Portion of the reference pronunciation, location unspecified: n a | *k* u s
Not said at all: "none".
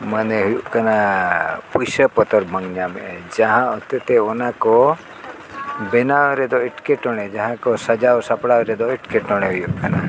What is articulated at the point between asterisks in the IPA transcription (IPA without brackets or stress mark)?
p